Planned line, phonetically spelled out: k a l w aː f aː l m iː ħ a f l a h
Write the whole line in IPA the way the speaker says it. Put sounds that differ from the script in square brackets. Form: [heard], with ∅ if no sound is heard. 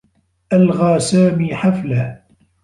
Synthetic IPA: [ʔ] a l [ɣ] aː [s] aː [∅] m iː ħ a f l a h